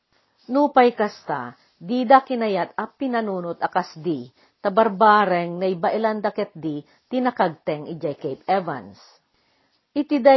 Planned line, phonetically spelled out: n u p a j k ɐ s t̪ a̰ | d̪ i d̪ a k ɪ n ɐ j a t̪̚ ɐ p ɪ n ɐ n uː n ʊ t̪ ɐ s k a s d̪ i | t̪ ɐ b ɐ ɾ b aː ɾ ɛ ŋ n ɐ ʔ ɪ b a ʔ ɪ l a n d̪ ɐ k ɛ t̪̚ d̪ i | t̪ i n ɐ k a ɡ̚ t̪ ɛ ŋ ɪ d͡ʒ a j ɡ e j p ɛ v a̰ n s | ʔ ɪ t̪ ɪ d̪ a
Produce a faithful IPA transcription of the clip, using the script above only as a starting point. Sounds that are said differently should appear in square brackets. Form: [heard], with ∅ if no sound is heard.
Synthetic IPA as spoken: n u p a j k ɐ s t̪ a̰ | d̪ i d̪ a k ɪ n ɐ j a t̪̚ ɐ p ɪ n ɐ n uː n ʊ t̪ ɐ [∅] k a s d̪ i | t̪ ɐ b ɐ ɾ b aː ɾ ɛ ŋ n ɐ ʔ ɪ b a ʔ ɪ l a n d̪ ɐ k ɛ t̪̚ d̪ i | t̪ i n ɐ k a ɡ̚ t̪ ɛ ŋ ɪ d͡ʒ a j [k] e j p ɛ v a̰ n s | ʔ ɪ t̪ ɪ d̪ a